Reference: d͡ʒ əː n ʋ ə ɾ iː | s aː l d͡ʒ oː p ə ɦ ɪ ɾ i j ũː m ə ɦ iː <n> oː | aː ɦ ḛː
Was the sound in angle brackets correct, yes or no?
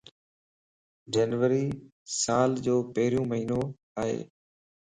yes